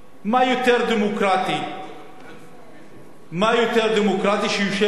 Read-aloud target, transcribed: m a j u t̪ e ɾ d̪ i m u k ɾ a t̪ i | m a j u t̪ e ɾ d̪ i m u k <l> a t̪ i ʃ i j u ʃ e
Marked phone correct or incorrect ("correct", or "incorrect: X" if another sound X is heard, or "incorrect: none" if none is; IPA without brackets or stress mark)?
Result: incorrect: ɾ